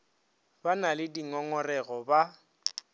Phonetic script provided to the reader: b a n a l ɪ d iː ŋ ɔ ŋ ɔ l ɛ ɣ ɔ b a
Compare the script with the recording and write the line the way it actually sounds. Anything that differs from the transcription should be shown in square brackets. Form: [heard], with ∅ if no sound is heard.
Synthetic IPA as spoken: b a n a l ɪ d [i] ŋ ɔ ŋ ɔ [r] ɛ ɣ ɔ b a